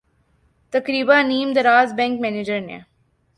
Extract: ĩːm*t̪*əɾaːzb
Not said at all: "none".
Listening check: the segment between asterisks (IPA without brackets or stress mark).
d̪